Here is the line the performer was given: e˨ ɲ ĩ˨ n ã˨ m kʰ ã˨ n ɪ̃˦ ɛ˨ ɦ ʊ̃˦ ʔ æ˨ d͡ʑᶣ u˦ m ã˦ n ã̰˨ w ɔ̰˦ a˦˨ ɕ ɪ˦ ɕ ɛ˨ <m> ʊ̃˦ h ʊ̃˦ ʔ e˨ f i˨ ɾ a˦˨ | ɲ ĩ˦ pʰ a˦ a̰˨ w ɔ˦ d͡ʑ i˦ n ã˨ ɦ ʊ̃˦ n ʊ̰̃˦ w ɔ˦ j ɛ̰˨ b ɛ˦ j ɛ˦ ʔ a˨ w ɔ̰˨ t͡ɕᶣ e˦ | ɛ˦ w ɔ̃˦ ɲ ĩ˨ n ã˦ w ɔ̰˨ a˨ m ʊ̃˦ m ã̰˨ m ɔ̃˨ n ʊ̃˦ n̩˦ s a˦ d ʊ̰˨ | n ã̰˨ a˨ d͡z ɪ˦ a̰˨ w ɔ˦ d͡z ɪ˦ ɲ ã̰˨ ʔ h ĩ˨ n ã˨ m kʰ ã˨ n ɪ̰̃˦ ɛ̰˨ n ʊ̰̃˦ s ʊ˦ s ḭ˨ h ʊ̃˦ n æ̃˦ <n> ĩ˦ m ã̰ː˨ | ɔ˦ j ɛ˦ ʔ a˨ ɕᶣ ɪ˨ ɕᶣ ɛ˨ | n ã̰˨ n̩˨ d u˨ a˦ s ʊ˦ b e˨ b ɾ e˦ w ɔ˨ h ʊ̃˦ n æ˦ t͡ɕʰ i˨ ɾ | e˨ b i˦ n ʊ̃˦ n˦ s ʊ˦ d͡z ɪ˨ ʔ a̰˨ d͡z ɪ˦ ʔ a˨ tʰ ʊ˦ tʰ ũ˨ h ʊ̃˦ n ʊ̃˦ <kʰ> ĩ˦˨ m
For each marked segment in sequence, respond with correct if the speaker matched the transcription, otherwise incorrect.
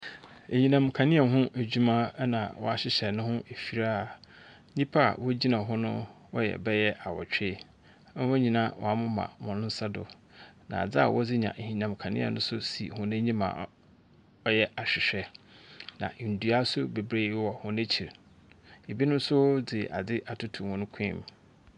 incorrect: n, incorrect: ɲ, correct

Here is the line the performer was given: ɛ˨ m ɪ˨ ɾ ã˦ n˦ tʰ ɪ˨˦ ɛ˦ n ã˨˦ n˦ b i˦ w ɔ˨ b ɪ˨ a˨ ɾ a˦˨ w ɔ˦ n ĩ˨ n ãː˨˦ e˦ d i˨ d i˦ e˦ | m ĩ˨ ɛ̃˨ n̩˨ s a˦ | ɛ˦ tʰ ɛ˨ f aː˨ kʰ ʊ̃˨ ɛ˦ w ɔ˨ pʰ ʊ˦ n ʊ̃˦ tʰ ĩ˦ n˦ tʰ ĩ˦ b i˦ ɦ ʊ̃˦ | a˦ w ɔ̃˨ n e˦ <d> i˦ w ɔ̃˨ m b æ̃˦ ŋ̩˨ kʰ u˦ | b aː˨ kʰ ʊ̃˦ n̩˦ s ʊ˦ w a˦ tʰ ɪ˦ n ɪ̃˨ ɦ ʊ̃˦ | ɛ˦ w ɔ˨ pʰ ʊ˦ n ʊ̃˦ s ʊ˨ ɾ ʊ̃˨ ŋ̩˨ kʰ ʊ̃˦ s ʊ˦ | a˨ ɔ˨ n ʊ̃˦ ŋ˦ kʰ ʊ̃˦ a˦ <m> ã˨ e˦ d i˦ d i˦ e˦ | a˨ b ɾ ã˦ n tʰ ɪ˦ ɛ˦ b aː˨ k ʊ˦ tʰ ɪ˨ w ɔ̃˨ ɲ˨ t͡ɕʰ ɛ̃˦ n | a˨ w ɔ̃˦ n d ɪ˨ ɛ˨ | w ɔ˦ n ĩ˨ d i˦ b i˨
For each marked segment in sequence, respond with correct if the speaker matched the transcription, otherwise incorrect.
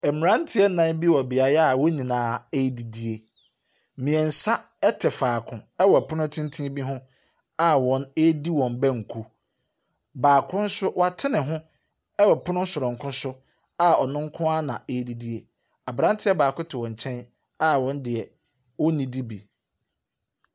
correct, incorrect: n

